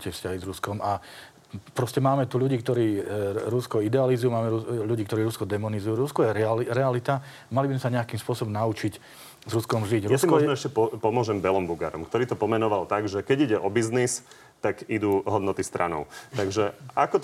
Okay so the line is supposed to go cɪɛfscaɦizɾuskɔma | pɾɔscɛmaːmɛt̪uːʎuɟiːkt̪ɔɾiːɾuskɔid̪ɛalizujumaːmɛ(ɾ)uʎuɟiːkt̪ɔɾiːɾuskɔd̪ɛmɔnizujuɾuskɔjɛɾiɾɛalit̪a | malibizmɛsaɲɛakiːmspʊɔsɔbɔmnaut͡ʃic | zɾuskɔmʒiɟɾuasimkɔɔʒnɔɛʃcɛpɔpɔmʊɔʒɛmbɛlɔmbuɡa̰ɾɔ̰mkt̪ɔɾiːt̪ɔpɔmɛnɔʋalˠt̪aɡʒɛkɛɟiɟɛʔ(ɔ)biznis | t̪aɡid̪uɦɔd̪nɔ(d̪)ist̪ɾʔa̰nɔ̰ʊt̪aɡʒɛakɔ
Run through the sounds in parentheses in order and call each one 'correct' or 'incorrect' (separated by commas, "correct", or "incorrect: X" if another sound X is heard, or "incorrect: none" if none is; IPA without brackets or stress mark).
correct, correct, incorrect: t̪